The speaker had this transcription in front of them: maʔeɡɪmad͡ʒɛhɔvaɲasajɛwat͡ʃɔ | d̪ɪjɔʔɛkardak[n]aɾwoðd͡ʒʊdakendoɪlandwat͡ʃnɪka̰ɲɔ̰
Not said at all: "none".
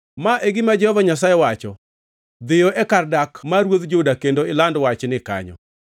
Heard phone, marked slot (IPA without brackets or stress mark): m